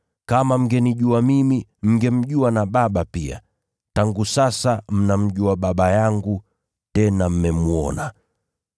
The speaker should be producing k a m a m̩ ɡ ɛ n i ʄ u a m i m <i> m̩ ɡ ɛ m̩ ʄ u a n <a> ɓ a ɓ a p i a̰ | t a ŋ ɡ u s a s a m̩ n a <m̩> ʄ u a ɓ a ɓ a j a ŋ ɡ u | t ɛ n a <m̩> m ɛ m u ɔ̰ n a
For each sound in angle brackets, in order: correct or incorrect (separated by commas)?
correct, correct, correct, correct